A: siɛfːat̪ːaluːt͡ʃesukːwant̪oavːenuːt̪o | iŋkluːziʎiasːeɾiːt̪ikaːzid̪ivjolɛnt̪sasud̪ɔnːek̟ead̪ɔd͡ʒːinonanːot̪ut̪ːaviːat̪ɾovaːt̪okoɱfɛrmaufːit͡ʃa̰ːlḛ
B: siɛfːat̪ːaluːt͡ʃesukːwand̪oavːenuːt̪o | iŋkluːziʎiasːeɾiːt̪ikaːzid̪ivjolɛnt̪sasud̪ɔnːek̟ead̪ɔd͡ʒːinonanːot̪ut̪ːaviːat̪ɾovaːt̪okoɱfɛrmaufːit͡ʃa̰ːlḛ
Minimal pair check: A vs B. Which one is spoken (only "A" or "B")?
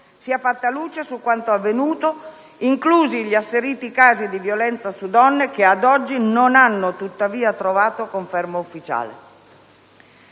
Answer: A